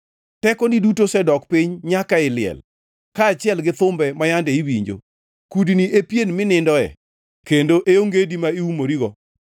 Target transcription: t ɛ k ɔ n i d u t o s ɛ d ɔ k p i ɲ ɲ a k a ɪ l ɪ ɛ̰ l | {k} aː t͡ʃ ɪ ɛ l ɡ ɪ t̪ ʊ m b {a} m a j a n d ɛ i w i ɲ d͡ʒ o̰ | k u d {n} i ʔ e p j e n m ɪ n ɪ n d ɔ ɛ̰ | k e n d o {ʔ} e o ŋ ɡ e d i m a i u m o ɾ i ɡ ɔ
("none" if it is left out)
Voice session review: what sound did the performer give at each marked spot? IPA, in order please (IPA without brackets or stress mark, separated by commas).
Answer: k, ɛ, n, ʔ